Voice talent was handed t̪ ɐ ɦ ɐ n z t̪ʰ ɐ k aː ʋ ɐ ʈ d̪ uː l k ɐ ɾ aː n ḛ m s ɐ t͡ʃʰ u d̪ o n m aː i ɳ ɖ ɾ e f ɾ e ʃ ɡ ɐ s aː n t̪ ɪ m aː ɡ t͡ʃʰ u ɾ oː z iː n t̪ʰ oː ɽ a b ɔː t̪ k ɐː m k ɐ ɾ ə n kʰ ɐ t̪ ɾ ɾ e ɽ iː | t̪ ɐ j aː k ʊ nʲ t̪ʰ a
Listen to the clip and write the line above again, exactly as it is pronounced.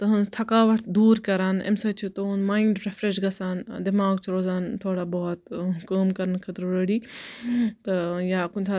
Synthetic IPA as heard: t̪ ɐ ɦ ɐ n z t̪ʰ ɐ k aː ʋ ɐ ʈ d̪ uː ɾ k ɐ ɾ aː n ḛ m s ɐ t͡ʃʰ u t̪ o n m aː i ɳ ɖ ɾ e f ɾ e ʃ ɡ ɐ s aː n d̪ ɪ m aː ɡ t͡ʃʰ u ɾ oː z aː n t̪ʰ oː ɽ a b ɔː t̪ k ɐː m k ɐ ɾ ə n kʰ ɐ t̪ ɾ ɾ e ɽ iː | t̪ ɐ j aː k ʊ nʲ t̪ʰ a